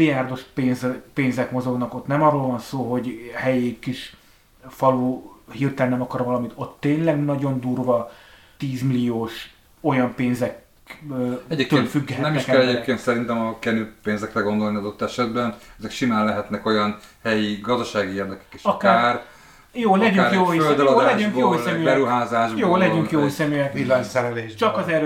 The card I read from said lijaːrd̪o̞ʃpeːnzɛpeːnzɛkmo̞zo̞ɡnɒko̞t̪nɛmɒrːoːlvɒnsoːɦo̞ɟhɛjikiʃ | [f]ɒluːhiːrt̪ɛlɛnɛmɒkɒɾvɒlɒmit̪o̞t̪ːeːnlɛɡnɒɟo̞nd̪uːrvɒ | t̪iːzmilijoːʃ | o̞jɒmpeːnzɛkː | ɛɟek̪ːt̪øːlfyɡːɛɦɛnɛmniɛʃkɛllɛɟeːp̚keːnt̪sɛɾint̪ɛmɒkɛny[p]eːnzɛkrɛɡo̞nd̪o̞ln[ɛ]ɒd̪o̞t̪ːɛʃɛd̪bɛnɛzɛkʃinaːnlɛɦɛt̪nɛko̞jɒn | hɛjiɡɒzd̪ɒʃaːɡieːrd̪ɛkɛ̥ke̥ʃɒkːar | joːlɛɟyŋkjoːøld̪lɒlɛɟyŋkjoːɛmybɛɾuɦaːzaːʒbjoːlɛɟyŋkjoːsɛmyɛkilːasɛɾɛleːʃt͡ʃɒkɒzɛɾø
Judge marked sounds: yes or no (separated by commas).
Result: yes, yes, no